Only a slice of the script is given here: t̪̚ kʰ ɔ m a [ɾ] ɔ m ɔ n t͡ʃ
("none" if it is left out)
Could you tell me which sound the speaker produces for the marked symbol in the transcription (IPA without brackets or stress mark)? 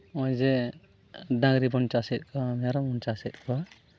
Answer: ɾ